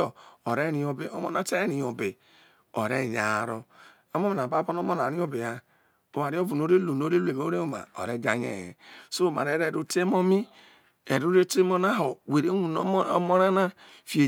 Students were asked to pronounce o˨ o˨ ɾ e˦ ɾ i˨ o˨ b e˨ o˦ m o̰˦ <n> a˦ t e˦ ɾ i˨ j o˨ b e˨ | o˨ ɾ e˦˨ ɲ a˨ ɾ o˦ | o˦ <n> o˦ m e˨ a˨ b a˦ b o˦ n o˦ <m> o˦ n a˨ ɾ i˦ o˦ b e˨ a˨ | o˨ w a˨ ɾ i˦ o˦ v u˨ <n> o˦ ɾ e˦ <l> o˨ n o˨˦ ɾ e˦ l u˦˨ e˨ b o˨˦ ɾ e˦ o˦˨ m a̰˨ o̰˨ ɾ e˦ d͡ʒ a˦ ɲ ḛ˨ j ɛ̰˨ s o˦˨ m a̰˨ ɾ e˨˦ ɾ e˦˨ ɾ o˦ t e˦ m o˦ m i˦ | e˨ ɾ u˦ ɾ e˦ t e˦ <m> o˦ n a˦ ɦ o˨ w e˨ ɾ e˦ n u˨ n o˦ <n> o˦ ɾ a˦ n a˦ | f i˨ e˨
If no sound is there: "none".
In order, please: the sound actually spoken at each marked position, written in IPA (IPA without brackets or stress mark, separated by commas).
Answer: n, m, m, n, l, m, m